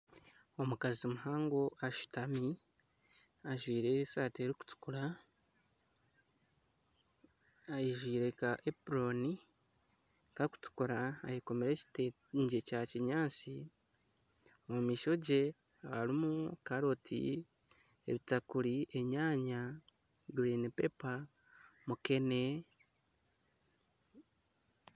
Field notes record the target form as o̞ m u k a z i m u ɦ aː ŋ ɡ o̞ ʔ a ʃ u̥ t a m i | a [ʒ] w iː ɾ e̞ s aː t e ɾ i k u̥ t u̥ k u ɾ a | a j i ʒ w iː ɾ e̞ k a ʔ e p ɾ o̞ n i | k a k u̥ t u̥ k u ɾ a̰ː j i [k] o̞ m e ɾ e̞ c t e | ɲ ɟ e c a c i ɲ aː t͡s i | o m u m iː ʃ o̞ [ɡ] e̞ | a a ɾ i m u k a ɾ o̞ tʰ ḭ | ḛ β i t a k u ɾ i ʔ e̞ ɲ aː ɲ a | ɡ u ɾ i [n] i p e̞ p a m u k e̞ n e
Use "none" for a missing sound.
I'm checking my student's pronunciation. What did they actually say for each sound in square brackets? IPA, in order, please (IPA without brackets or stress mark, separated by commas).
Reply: ʒ, k, ɟ, n